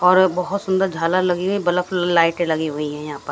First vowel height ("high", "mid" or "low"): mid